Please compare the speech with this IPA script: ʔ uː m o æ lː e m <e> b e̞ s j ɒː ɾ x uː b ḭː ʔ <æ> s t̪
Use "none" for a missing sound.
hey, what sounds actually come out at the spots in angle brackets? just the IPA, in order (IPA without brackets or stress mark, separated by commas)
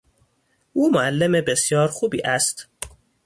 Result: e, æ